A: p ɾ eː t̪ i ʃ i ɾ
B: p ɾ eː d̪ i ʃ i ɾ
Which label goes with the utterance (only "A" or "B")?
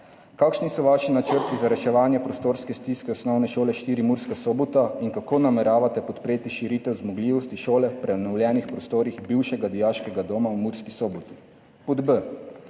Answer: A